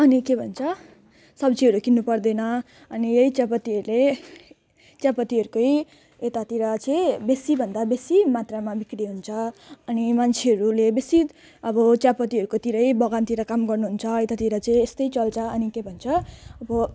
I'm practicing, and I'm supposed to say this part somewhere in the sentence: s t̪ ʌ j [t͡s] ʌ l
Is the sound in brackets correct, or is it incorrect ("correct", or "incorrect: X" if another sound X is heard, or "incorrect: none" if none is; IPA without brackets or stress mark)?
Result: correct